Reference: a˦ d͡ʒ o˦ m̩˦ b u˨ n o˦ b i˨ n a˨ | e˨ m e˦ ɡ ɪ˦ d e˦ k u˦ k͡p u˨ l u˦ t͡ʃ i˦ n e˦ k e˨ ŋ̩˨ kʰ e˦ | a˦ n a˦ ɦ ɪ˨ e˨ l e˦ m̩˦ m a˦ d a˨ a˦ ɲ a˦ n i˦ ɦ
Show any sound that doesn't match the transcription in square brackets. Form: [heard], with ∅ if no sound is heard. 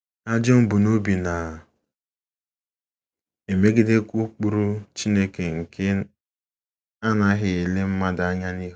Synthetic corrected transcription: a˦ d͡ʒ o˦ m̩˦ b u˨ n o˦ b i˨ n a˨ | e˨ m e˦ ɡ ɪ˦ d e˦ k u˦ k͡p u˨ [ɾ] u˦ t͡ʃ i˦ n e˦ k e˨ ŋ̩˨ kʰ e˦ | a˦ n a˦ ɦ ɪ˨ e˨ l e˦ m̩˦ m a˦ d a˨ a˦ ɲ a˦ n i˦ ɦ